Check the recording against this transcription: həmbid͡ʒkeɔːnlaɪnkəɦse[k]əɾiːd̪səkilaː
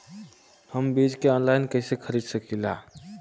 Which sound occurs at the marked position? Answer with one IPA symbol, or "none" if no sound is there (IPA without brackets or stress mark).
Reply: kʰ